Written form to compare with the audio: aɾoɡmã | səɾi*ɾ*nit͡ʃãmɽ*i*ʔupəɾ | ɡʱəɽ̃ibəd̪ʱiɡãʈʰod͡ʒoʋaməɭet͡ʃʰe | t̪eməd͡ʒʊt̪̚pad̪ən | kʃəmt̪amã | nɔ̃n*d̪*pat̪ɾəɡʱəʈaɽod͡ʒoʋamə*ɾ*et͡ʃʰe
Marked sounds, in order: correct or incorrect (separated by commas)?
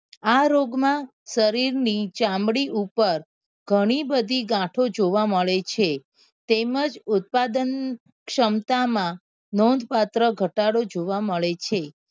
correct, correct, correct, incorrect